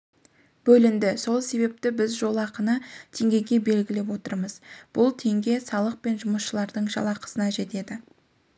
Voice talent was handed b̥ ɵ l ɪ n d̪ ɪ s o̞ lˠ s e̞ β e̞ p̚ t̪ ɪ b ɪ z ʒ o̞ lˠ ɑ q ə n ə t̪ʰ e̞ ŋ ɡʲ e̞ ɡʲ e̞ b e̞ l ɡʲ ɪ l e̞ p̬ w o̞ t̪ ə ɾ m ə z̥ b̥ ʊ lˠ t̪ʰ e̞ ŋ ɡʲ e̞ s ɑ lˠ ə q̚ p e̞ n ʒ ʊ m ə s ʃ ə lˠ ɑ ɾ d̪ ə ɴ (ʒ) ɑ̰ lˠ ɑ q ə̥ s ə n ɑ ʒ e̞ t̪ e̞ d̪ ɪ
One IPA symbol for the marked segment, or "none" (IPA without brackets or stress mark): ʒ